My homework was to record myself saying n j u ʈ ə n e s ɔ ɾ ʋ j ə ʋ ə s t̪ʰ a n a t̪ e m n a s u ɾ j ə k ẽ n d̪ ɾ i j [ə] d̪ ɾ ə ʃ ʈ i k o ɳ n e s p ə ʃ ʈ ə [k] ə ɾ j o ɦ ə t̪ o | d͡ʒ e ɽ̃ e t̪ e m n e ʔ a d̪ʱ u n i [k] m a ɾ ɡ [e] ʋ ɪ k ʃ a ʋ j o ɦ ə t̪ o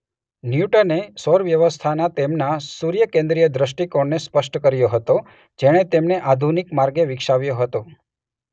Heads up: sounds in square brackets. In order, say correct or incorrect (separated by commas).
correct, correct, correct, correct